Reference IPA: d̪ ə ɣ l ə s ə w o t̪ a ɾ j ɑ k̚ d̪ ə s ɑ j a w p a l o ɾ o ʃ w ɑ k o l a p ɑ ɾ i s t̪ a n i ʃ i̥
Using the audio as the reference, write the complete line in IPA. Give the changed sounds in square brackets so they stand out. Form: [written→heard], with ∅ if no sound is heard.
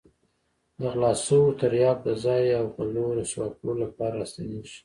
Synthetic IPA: d̪ ə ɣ l [ə→ɑ] s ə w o t̪ a ɾ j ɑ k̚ d̪ ə [s→z] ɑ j a w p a l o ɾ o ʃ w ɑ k o l a p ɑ ɾ [i→a] s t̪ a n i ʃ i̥